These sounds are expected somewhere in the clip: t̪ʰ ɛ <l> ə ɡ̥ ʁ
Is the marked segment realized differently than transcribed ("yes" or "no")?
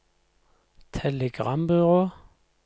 no